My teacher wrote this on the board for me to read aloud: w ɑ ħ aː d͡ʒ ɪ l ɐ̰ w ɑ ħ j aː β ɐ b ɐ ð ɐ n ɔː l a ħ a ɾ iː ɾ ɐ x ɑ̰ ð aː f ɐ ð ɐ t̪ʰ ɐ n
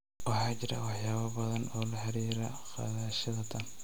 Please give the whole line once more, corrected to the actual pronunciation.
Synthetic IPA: w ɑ ħ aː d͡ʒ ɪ ɾ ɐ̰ w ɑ ħ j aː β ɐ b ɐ ð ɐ n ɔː l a ħ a ɾ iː ɾ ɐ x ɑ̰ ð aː ʃ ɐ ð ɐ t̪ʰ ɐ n